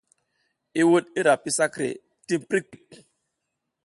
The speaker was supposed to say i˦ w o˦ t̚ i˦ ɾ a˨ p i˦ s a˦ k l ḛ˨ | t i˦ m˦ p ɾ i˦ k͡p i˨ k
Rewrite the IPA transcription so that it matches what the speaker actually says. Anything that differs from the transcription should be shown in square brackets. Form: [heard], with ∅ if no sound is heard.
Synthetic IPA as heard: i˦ w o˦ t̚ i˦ ɾ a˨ p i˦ s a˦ k [ɾ] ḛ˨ | t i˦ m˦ p ɾ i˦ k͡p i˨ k